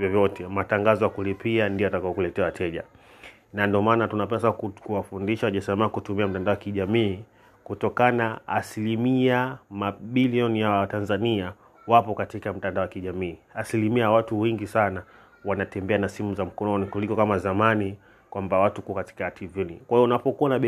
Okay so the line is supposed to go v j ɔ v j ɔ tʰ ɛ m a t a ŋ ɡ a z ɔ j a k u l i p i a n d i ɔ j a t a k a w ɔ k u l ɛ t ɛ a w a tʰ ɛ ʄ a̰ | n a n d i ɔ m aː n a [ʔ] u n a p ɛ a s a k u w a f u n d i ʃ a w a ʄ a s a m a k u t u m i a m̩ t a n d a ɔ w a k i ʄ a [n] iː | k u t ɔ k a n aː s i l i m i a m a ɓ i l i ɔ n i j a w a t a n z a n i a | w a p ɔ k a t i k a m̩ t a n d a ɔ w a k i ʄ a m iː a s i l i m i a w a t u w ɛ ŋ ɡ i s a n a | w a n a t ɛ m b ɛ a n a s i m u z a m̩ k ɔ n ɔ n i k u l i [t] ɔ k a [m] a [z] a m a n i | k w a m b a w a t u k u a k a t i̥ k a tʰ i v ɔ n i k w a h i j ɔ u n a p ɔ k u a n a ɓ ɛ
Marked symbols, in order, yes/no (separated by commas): no, no, no, yes, yes